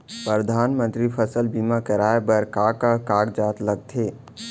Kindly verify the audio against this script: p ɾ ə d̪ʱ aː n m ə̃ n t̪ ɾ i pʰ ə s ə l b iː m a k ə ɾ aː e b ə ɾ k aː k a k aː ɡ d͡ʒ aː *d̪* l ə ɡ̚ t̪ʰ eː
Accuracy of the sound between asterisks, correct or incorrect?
incorrect